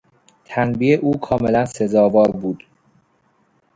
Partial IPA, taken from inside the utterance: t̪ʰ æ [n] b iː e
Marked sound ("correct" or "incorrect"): correct